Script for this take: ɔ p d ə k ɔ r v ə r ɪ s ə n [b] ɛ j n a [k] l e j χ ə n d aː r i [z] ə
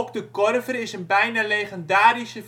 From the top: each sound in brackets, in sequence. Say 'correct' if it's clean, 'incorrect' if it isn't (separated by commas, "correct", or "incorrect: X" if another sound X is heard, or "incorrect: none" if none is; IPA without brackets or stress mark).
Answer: correct, incorrect: none, incorrect: s